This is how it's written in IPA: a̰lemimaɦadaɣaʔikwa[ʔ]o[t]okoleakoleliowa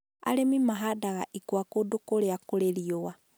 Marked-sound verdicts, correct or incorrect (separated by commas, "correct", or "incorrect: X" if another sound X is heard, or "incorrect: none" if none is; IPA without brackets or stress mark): incorrect: k, incorrect: d